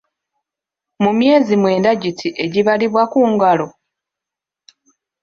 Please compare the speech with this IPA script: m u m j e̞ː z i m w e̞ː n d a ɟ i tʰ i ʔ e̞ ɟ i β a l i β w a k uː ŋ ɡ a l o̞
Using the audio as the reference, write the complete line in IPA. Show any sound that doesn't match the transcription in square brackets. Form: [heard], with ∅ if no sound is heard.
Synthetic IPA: m u m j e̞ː z i m w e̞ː n d a ɟ i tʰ i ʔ e̞ ɟ i β a l i β w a k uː ŋ ɡ a l o̞